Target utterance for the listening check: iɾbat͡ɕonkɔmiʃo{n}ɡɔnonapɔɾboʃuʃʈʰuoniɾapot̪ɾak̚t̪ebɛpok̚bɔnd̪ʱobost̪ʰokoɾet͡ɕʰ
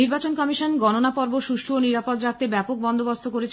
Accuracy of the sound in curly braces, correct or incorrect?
correct